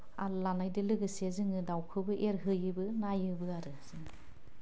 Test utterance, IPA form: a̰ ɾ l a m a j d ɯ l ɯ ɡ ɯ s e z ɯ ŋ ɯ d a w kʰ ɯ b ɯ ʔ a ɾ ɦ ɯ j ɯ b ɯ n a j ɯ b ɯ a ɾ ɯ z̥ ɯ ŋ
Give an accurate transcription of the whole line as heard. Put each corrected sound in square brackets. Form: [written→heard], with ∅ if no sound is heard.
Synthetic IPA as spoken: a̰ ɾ l a [m→n] a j d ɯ l ɯ ɡ ɯ s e z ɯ ŋ ɯ d a w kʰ ɯ b ɯ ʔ [a→e] ɾ ɦ ɯ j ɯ b ɯ n a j ɯ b ɯ a ɾ ɯ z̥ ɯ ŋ